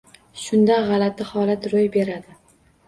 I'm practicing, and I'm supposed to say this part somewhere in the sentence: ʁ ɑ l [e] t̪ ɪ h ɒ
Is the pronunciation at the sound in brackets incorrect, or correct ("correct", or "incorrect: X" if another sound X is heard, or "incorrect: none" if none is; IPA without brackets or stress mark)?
incorrect: a